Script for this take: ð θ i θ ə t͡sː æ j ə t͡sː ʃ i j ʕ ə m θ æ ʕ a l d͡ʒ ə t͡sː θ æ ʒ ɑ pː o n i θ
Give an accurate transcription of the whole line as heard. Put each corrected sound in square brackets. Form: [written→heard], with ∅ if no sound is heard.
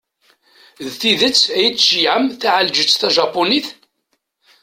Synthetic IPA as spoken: ð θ i [θ→ð] ə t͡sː æ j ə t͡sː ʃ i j ʕ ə m θ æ ʕ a l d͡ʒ ə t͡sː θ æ ʒ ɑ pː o n i θ